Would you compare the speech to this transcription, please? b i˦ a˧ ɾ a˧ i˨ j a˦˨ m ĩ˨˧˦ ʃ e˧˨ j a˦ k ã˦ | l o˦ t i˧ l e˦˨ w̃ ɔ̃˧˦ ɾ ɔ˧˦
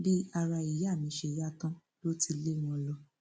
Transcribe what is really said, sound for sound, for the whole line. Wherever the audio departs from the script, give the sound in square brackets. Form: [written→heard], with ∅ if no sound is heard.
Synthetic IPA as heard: b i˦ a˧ ɾ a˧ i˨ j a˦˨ m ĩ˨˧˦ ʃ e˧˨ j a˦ k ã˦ | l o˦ t i˧ l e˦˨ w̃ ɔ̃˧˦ [ɾ→l] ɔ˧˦

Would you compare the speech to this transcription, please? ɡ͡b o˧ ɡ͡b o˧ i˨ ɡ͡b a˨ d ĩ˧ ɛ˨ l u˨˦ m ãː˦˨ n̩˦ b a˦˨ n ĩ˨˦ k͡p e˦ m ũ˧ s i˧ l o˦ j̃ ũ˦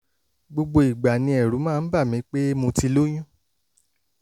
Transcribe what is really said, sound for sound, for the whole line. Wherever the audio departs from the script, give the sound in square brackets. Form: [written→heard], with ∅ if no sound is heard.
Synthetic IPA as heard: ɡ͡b o˧ ɡ͡b o˧ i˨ ɡ͡b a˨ [d→n] ĩ˧ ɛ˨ [l→ɾ] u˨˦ m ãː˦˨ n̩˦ b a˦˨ [n→m] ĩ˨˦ k͡p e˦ m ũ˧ [s→t] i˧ l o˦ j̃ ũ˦

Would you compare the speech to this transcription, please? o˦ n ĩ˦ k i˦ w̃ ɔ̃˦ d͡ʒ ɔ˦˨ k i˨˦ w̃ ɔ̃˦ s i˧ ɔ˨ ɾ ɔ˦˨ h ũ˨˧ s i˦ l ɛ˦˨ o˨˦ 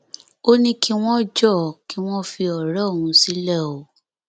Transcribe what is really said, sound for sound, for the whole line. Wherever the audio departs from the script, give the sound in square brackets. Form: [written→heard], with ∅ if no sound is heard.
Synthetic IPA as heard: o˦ n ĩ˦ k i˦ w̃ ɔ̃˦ d͡ʒ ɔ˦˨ k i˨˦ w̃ ɔ̃˦ [s→f] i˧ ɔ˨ ɾ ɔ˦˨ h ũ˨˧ s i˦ l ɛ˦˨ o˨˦

